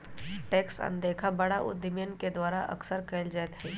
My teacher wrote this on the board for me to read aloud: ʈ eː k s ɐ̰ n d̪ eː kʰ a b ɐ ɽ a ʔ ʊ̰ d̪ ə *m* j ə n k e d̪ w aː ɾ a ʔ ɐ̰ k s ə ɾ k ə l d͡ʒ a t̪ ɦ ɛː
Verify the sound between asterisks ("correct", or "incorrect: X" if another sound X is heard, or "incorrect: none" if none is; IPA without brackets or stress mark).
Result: correct